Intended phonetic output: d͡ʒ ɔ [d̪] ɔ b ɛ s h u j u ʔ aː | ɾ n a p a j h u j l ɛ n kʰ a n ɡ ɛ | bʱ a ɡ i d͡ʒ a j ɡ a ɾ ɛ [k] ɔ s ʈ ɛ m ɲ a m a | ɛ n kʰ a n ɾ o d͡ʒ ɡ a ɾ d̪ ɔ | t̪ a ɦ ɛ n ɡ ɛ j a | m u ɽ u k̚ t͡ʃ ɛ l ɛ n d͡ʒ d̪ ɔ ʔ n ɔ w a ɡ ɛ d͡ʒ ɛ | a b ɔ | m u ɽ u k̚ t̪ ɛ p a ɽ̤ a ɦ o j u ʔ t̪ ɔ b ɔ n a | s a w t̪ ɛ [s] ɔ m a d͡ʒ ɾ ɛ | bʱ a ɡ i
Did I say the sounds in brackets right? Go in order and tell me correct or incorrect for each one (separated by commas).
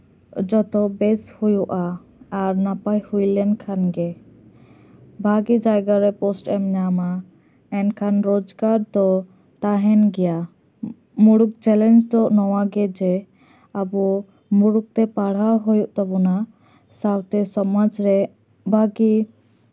incorrect, incorrect, correct